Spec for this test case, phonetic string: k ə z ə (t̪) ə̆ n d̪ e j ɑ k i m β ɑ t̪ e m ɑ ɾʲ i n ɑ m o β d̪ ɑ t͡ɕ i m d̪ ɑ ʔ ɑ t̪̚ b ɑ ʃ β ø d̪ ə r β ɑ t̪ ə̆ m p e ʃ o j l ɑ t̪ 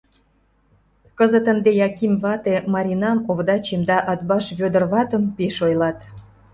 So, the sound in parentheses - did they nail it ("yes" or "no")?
yes